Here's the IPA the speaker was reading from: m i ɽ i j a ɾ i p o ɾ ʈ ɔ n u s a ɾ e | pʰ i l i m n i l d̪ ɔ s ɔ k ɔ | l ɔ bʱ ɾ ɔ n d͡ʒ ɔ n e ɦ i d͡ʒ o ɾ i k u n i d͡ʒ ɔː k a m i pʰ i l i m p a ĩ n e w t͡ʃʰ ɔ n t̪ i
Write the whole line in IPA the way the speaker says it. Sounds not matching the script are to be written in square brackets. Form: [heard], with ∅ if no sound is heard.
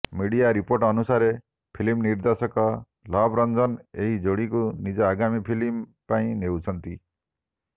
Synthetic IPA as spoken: m i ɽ i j a ɾ i p o ɾ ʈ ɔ n u s a ɾ e | pʰ i l i m n i [ɾ] d̪ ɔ s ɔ k ɔ | l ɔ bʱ ɾ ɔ n d͡ʒ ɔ n e ɦ i d͡ʒ o [ɽ] i k u n i d͡ʒ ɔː [ɡ] a m i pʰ i l i m p a ĩ n e w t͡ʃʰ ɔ n t̪ i